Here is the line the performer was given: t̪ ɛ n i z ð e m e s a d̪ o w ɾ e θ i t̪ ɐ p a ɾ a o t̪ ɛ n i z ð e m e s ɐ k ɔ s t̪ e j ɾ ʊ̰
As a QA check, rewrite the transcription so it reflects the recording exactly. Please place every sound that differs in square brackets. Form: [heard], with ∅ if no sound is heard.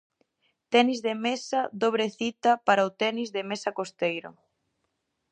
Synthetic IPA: t̪ ɛ n i z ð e m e s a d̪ o [β] ɾ e θ i t̪ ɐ p a ɾ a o t̪ ɛ n i z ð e m e s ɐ k [o] s t̪ e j ɾ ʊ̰